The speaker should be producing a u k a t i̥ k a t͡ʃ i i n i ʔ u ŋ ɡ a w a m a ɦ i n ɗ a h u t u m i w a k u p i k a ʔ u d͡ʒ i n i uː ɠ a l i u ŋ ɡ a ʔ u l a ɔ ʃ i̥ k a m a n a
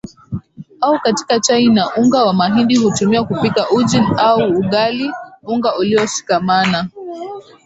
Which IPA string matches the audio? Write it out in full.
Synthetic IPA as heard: a u k a t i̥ k a t͡ʃ a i n a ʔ u ŋ ɡ a w a m a ɦ i n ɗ i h u t u m i w a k u p i k a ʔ u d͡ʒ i n a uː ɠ a l i u ŋ ɡ a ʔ u l i ɔ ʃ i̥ k a m a n a